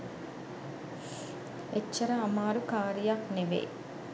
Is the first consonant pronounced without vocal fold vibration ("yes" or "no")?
yes